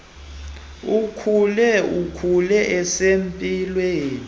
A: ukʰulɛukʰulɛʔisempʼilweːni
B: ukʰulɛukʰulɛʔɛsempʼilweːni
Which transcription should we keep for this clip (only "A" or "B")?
B